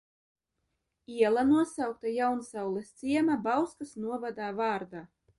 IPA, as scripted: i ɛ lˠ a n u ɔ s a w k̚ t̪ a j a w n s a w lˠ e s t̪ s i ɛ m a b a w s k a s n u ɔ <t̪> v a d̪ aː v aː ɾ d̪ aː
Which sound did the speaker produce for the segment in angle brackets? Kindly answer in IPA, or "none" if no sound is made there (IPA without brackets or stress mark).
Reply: none